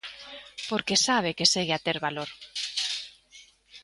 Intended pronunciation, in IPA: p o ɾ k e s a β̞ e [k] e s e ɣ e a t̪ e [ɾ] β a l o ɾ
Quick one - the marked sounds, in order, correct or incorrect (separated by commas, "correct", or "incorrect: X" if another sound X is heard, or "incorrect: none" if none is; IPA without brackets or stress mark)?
correct, correct